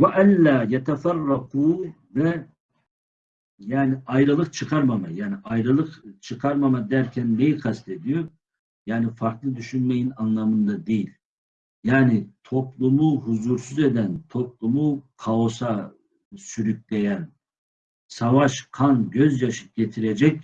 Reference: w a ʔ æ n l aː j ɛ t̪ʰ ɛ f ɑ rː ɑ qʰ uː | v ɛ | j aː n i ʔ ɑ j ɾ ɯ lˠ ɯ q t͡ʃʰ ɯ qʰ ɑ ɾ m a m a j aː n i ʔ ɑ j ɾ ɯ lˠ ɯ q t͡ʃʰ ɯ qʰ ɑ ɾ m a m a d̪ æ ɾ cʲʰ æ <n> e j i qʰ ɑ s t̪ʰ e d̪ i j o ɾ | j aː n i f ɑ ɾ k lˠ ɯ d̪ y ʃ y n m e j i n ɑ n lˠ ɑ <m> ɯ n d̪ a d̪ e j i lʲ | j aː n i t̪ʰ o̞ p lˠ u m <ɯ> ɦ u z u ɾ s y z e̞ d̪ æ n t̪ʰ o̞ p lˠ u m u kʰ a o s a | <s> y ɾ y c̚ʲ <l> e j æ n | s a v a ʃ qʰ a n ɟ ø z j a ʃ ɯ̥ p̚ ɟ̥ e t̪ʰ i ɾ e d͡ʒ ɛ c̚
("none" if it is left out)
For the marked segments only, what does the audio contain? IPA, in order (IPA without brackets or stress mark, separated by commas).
nː, m, u, s, l